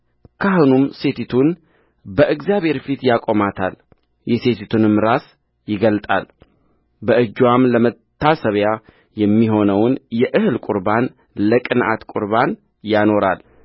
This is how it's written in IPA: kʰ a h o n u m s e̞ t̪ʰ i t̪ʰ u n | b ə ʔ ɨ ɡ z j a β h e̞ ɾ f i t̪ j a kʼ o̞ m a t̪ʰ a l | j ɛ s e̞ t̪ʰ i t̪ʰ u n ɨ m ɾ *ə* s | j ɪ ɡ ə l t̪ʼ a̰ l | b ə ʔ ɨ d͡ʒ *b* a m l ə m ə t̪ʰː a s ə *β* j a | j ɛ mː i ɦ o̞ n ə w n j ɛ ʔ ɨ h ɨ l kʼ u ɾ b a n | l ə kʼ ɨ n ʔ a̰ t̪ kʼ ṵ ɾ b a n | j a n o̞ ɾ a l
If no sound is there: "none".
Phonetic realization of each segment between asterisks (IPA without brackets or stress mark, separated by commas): a, w, β